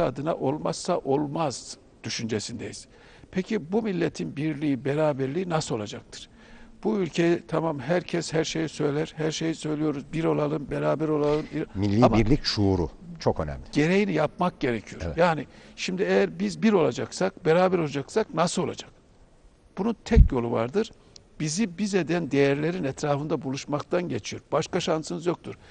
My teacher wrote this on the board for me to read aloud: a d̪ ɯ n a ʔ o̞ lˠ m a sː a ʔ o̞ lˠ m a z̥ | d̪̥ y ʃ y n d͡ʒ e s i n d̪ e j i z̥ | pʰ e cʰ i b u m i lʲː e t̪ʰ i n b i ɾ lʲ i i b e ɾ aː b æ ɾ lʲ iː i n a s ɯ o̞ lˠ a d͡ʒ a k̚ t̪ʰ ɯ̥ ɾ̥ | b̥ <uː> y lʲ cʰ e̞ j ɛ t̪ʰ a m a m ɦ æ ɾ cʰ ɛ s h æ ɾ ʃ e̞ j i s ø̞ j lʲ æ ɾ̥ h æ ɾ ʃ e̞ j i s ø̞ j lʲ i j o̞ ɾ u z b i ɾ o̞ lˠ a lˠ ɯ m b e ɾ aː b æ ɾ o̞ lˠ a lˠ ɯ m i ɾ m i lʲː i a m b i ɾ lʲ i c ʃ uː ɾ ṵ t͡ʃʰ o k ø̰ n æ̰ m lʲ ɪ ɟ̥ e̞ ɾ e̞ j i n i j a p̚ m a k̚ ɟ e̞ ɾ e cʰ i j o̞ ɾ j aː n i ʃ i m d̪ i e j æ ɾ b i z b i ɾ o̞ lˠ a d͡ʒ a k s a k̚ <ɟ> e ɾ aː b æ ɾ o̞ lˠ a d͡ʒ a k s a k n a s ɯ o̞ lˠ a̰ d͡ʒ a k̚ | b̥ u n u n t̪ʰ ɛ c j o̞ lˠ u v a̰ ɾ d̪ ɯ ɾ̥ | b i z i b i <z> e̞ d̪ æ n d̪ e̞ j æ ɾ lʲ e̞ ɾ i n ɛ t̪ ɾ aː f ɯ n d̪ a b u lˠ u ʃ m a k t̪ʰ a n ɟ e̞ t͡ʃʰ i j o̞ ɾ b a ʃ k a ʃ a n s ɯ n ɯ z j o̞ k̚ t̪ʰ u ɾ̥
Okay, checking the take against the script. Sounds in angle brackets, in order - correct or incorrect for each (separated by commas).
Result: incorrect, incorrect, correct